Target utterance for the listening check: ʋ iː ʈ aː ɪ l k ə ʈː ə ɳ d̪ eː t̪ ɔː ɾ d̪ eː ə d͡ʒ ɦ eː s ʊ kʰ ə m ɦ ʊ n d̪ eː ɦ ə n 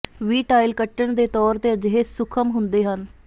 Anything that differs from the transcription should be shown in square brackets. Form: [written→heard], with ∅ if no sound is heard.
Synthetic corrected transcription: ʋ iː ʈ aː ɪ l k ə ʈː ə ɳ d̪ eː t̪ ɔː ɾ [d̪→t̪] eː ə d͡ʒ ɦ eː s ʊ kʰ ə m ɦ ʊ n d̪ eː ɦ ə n